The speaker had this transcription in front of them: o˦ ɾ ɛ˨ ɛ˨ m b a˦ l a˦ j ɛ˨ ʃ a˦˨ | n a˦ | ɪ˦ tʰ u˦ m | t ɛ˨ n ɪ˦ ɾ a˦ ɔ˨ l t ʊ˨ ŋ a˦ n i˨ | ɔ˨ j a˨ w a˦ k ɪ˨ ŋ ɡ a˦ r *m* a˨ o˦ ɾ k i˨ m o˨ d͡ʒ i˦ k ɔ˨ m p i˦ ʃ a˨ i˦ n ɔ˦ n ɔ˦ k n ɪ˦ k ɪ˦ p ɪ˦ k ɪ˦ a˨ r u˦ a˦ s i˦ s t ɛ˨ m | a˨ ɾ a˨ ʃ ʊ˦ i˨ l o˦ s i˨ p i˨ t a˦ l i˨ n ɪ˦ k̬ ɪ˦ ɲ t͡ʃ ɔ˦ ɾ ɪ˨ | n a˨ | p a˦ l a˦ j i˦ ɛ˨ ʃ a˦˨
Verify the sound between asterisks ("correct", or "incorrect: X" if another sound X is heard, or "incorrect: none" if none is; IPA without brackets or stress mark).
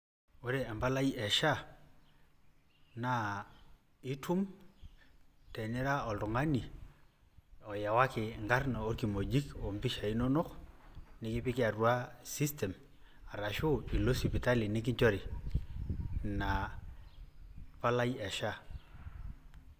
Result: incorrect: n